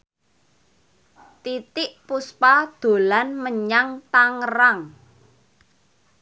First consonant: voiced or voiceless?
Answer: voiceless